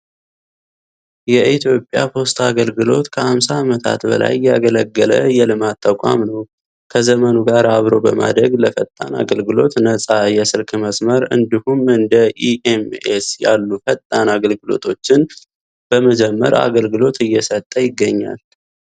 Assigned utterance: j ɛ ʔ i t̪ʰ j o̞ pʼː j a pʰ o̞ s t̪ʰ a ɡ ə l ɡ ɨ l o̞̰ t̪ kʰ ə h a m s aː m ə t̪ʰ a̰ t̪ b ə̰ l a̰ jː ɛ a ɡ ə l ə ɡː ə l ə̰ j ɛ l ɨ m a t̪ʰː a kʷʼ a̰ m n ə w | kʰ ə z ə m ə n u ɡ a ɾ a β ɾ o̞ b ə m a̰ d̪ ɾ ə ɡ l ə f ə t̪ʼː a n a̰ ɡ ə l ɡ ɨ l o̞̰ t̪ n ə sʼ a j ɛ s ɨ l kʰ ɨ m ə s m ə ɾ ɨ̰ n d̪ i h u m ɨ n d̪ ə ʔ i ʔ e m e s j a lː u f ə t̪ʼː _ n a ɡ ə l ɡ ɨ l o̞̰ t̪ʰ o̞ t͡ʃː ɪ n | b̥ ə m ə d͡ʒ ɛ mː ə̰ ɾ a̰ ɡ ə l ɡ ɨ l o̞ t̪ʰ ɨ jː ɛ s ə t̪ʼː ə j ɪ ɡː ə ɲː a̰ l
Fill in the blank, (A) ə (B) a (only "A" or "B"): B